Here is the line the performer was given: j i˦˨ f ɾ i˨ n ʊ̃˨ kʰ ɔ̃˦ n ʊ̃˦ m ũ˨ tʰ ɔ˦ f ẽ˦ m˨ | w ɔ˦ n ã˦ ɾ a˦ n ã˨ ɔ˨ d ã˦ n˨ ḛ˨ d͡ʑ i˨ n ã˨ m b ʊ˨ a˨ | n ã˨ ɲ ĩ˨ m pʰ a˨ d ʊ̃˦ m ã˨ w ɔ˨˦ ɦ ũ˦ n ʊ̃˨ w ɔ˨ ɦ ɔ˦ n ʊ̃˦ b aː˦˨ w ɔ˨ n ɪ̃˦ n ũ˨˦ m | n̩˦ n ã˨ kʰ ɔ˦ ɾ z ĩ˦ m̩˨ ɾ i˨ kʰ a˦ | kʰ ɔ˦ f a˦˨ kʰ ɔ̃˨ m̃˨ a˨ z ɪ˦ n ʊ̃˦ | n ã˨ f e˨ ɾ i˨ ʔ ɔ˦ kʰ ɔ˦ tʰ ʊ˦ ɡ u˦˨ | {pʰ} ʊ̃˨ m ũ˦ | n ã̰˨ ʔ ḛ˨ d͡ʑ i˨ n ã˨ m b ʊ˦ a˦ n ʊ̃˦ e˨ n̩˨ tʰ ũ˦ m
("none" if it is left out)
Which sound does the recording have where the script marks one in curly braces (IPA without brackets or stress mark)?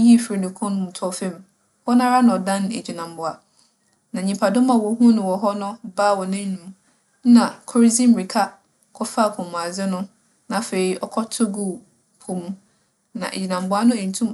pʰ